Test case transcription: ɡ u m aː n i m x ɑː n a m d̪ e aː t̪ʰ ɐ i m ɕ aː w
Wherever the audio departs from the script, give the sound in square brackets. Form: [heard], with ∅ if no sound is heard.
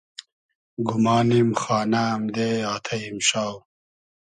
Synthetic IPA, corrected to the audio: ɡ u m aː n i m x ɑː n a m d̪ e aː t̪ʰ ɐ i m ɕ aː w

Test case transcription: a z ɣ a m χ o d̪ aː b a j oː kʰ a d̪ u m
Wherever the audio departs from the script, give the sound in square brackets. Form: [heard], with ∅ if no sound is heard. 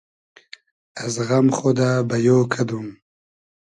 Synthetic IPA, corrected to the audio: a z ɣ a m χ o d̪ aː b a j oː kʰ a d̪ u m

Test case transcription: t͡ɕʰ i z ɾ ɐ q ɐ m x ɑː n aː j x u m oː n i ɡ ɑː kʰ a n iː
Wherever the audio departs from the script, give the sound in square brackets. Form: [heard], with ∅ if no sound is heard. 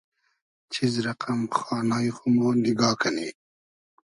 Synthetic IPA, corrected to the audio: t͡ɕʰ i z ɾ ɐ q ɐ m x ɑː n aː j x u m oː n i ɡ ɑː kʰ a n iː

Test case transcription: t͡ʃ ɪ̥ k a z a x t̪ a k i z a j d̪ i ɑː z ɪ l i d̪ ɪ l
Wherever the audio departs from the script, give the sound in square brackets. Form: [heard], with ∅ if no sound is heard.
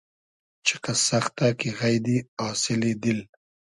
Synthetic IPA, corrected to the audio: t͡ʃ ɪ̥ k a [s] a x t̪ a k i [ɣ] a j d̪ i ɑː [s] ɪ l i d̪ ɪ l

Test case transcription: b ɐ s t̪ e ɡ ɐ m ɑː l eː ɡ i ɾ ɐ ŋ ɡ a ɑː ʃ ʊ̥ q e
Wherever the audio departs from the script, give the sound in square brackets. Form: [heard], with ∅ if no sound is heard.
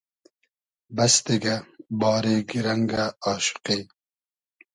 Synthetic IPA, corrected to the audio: b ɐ s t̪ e ɡ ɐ [b] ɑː [ɾ] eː ɡ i ɾ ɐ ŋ ɡ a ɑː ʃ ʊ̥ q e

